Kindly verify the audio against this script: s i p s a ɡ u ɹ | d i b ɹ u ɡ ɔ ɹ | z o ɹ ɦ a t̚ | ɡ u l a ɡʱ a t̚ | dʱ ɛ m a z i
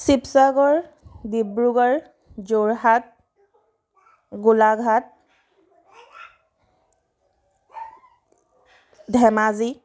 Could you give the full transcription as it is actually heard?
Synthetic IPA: s i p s a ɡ ɔ ɹ | d i b ɹ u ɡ ɔ ɹ | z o ɹ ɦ a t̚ | ɡ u l a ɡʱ a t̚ | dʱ ɛ m a z i

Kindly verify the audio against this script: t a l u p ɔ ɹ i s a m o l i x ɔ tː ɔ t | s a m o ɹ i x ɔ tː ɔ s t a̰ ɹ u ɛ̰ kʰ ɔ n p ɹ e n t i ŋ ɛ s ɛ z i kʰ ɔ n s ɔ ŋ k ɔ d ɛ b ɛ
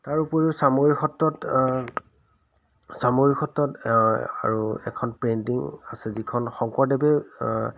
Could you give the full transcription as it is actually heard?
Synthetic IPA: t a ɹ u p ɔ ɹ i s a m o ɹ i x ɔ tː ɔ t | s a m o ɹ i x ɔ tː ɔ t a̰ ɹ u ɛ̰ kʰ ɔ n p ɹ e n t i ŋ a s ɛ z i kʰ ɔ n x ɔ ŋ k ɔ d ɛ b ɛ

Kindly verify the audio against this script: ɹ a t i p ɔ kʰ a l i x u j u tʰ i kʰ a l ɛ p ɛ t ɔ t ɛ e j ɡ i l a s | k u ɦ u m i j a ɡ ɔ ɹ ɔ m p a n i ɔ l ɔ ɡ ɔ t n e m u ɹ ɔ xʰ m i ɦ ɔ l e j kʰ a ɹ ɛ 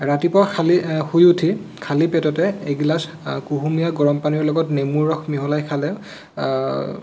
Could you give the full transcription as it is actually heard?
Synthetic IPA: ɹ a t i p ɔ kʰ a l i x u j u tʰ i kʰ a l i p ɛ t ɔ t ɛ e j ɡ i l a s | k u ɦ u m i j a ɡ ɔ ɹ ɔ m p a n i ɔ l ɔ ɡ ɔ t n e m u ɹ ɔ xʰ m i ɦ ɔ l a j kʰ a l ɛ

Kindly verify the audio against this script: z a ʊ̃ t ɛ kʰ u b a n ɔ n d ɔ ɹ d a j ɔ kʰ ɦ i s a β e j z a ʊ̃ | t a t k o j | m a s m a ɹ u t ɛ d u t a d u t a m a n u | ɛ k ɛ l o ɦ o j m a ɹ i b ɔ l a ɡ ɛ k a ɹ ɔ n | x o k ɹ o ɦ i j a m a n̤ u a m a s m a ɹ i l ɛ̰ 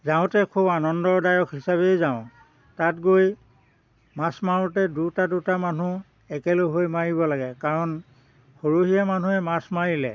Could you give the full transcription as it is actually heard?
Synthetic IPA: z a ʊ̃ t ɛ kʰ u b a n ɔ n d ɔ ɹ d a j ɔ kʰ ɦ i s a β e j z a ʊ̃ | t a t ɡ o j | m a s m a ɹ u t ɛ d u t a d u t a m a n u | ɛ k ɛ l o ɦ o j m a ɹ i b ɔ l a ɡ ɛ k a ɹ ɔ n | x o ɹ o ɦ i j a m a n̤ u ɛ m a s m a ɹ i l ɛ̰

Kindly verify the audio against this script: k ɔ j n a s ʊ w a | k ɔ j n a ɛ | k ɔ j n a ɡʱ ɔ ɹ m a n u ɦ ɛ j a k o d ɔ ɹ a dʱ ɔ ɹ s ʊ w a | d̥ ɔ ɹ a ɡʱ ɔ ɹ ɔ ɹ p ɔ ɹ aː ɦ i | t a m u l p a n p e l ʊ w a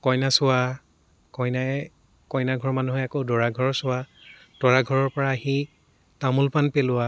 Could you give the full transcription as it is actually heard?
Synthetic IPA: k ɔ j n a s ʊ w a | k ɔ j n a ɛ | k ɔ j n a ɡʱ ɔ ɹ m a n u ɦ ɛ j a k o d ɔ ɹ a ɡʱ ɔ ɹ s ʊ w a | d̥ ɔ ɹ a ɡʱ ɔ ɹ ɔ ɹ p ɔ ɹ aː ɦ i | t a m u l p a n p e l ʊ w a

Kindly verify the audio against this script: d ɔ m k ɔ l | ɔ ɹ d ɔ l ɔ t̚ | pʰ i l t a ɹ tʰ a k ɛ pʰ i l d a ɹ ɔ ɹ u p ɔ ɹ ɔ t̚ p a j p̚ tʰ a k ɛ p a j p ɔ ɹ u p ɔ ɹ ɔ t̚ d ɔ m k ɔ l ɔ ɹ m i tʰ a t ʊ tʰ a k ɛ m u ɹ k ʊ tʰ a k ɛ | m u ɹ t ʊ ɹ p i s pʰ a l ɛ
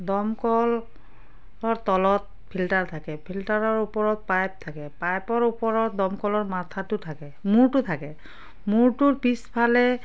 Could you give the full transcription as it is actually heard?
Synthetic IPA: d ɔ m k ɔ l | ɔ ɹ t ɔ l ɔ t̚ | pʰ i l t a ɹ tʰ a k ɛ pʰ i l t a ɹ ɔ ɹ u p ɔ ɹ ɔ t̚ p a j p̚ tʰ a k ɛ p a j p ɔ ɹ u p ɔ ɹ ɔ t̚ d ɔ m k ɔ l ɔ ɹ m a tʰ a t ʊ tʰ a k ɛ m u ɹ t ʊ tʰ a k ɛ | m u ɹ t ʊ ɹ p i s pʰ a l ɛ

